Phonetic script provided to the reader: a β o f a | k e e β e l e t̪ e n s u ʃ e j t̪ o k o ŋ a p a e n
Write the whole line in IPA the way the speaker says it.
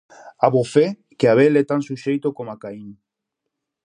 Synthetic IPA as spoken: a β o f e | k e a β e l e t̪ a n s u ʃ e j t̪ o k o m a k a i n